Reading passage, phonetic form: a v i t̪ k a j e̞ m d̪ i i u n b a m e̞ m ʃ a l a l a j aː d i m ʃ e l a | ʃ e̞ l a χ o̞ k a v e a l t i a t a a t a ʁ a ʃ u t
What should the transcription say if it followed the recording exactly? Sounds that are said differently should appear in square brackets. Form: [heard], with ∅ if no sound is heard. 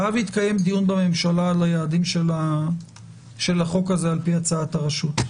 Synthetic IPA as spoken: a v i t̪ k a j e̞ m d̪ i [j] u n b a m e̞ m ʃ a l a l a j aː d i m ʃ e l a | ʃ e̞ l a χ o̞ k a [z] e a l [p] i a [t͡s] a a t a ʁ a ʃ u t